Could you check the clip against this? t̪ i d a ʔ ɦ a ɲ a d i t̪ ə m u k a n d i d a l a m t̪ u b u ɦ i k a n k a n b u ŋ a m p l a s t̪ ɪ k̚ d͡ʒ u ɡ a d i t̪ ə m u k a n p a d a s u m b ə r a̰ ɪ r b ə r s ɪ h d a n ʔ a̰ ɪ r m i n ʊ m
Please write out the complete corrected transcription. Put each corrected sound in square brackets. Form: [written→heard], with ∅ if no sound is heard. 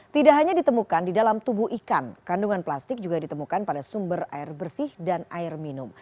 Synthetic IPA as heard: t̪ i d a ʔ ɦ a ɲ a d i t̪ ə m u k a n d i d a l a m t̪ u b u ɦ i k a n k a n [b→d] u ŋ a [m→n] p l a s t̪ ɪ k̚ d͡ʒ u ɡ a d i t̪ ə m u k a n p a d a s u m b ə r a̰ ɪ r b ə r s ɪ h d a n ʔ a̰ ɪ r m i n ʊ m